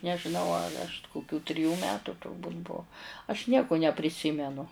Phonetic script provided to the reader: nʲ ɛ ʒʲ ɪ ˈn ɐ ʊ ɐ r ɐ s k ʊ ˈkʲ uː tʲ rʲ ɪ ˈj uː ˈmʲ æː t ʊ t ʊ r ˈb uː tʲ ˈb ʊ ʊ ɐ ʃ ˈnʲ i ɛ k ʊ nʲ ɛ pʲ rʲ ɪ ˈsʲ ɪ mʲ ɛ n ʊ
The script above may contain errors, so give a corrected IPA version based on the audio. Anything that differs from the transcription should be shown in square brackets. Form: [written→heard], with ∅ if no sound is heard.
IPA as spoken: nʲ ɛ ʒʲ ɪ ˈn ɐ ʊ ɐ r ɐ [s→ʃ] k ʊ ˈkʲ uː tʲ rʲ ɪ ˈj uː ˈmʲ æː t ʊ t ʊ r ˈb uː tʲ ˈb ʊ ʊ ɐ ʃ ˈnʲ i ɛ k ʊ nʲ ɛ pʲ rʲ ɪ ˈsʲ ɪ mʲ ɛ n ʊ